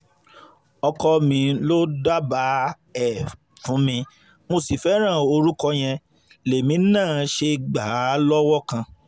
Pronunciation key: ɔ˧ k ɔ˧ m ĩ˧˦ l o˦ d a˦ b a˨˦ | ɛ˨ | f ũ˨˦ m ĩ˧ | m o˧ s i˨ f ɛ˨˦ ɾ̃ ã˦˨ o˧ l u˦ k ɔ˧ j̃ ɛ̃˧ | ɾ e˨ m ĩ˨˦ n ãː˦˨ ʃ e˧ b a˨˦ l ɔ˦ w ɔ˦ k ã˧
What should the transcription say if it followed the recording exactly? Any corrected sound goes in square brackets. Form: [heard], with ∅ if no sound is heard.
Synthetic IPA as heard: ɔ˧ k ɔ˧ m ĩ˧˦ l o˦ d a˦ b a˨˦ | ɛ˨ | f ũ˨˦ m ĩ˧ | m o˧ s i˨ f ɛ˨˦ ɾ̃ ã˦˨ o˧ [ɾ] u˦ k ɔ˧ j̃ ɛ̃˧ | [l] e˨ m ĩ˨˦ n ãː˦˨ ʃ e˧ [ɡ͡b] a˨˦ l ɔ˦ w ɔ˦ k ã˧